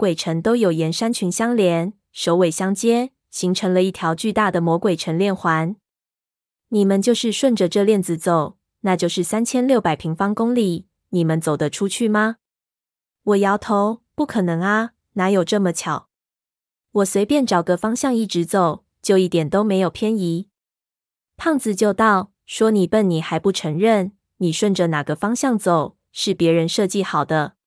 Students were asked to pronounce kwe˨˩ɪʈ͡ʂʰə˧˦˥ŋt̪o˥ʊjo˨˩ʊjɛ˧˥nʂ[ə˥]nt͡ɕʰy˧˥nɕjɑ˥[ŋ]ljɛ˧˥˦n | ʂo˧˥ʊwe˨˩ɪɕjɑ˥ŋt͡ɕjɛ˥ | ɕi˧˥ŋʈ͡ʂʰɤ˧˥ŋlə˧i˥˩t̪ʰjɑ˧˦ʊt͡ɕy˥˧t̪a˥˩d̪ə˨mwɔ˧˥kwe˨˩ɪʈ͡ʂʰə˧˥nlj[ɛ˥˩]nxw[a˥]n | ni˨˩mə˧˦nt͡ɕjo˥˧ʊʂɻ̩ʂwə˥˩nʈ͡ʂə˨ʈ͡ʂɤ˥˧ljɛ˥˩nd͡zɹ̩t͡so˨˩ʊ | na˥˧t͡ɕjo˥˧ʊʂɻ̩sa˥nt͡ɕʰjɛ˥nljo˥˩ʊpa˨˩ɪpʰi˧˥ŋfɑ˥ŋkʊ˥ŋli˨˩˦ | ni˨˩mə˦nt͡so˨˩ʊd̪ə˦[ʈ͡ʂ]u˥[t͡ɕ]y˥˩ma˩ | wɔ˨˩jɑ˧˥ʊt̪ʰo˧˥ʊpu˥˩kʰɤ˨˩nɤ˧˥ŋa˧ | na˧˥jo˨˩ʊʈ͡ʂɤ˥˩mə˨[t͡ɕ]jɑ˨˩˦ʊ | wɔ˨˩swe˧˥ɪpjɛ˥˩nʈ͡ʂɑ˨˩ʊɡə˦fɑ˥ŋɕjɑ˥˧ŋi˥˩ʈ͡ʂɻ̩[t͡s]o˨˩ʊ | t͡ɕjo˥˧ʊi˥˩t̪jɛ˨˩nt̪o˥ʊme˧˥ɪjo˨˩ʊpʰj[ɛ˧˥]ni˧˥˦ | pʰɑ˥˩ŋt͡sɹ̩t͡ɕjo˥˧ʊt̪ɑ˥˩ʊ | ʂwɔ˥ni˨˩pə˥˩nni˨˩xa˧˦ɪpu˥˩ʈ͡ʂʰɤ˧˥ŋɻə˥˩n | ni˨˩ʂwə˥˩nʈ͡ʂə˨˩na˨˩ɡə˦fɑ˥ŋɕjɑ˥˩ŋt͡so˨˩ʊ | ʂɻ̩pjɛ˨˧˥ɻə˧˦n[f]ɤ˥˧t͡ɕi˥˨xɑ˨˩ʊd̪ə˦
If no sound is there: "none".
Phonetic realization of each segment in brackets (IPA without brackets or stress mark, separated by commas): a˥, ŋ, ɛ˥˩, a˧˦, ʈ͡ʂʰ, t͡ɕʰ, t͡ɕʰ, t͡s, ɛ˥, ʂ